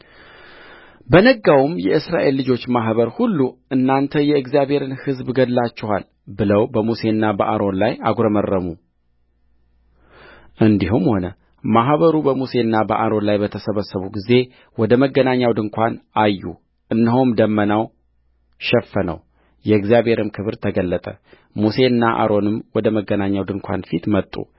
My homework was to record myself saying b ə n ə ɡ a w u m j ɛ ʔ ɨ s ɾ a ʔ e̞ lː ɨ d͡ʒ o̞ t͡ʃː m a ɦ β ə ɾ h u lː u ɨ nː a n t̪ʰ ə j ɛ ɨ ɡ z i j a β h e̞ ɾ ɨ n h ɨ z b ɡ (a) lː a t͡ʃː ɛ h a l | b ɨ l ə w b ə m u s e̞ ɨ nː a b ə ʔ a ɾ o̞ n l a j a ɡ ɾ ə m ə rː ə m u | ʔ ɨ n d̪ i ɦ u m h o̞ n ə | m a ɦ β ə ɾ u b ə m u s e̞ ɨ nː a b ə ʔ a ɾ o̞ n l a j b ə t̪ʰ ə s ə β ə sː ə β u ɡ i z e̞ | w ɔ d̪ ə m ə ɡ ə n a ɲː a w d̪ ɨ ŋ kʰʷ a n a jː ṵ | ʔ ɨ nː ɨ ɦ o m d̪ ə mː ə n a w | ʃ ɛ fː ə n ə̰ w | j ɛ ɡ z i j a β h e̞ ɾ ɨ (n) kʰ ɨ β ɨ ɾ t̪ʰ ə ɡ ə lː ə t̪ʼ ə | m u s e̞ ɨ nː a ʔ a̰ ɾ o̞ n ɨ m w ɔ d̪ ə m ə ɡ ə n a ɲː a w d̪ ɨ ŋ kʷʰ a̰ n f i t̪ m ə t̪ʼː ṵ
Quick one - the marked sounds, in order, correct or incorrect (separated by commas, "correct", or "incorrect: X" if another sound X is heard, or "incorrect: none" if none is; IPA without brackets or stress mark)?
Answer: incorrect: ə, incorrect: m